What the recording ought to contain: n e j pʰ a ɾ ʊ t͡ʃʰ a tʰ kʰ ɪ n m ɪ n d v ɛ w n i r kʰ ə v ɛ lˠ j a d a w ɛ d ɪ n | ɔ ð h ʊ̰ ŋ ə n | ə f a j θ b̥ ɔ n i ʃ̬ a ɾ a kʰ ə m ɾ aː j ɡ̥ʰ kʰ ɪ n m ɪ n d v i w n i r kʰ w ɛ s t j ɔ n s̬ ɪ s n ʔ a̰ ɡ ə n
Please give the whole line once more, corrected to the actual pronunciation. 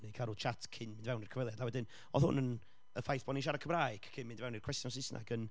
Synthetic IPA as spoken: n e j kʰ a ɾ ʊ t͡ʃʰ a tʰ kʰ ɪ n m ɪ n d v ɛ w n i r kʰ ə v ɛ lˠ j a d a w ɛ d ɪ n | ɔ θ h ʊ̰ n ə n | ə f a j θ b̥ ɔ n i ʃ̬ a ɾ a kʰ ə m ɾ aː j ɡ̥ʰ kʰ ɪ n m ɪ n d v ɛ w n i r kʰ w ɛ s t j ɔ n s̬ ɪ s n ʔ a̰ ɡ ə n